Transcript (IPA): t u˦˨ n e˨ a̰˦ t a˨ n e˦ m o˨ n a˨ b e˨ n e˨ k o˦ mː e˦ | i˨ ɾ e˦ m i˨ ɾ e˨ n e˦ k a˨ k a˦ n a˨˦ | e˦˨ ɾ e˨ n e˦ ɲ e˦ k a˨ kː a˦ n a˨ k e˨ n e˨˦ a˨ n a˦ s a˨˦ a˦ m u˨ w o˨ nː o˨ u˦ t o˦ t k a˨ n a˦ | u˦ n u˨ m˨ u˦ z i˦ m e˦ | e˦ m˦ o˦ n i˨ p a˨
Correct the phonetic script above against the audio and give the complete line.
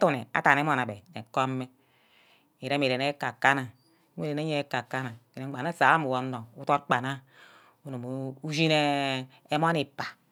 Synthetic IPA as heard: t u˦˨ n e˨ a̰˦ t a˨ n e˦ m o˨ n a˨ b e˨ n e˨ k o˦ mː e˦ | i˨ ɾ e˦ m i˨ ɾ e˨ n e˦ k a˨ k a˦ n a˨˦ | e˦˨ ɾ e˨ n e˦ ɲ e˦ k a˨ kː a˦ n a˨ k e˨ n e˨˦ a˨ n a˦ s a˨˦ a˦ m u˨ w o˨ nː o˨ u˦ t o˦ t k͡p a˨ n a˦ | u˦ n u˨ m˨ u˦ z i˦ n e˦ | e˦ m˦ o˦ n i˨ p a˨